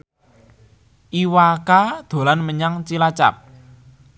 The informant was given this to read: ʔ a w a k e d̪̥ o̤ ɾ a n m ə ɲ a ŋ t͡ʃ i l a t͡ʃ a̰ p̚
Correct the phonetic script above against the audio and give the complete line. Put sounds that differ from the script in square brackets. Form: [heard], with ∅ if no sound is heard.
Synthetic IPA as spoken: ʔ [i] w a k [a] d̪̥ o̤ [l] a n m ə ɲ a ŋ t͡ʃ i l a t͡ʃ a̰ p̚